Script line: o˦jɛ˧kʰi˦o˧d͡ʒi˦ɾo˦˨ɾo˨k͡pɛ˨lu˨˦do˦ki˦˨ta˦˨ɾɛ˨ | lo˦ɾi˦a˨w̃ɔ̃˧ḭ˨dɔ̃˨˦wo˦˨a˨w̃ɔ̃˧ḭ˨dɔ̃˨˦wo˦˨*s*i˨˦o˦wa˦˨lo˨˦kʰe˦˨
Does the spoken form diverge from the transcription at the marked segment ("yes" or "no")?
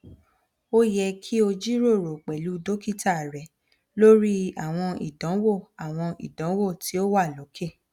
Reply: yes